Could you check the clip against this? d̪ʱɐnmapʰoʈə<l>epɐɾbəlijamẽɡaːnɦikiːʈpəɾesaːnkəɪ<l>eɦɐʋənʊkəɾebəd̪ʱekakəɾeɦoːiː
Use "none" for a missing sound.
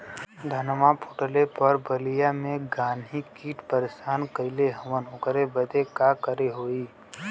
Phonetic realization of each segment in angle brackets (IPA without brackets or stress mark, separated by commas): l, l